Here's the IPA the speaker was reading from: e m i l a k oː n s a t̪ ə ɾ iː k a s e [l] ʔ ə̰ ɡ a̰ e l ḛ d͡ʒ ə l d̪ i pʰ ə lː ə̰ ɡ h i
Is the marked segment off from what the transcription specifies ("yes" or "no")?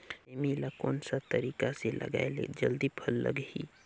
no